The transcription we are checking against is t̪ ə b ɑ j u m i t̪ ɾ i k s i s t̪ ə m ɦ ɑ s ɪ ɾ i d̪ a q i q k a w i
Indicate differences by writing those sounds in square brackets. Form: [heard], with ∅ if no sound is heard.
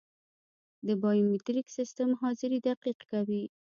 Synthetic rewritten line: [d̪] ə b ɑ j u m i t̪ ɾ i k s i s t̪ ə m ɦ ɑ [z] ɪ ɾ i d̪ a q i q k a w i